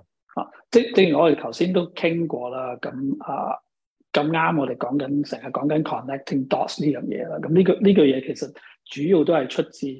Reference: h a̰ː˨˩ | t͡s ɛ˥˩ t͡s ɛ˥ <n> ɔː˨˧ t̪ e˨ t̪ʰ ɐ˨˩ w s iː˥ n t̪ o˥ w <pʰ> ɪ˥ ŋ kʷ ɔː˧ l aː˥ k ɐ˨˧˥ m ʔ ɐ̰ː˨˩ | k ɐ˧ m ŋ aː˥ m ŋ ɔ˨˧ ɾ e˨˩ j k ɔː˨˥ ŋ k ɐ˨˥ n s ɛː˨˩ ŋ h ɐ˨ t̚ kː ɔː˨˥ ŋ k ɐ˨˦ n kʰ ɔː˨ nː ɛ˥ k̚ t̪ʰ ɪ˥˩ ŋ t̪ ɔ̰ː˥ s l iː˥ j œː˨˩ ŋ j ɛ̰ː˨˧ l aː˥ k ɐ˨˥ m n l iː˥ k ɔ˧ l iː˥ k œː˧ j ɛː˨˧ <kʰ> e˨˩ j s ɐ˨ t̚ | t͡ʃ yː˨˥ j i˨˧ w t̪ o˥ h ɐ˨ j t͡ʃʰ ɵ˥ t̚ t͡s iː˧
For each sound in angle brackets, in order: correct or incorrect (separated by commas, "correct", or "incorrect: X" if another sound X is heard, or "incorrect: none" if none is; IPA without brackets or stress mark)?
incorrect: ŋ, incorrect: kʰ, correct